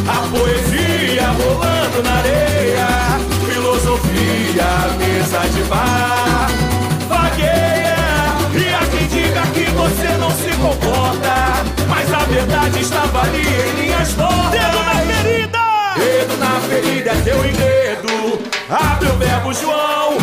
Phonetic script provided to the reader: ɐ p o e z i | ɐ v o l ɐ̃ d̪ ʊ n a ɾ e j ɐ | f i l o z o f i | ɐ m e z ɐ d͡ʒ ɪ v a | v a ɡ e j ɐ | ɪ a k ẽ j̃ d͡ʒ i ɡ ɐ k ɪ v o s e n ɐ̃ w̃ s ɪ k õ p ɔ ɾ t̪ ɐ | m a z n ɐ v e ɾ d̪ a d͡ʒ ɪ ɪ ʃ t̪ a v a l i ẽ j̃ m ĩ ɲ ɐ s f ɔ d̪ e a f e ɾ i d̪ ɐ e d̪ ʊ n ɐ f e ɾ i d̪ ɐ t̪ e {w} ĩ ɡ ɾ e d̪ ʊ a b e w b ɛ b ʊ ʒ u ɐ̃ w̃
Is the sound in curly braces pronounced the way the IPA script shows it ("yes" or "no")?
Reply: yes